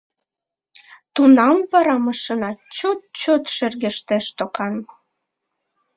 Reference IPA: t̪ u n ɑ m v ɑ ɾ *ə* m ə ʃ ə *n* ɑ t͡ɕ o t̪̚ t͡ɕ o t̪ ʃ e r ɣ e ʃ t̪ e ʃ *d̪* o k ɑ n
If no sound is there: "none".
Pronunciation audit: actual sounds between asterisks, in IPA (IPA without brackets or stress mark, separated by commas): ɑ, n, t̪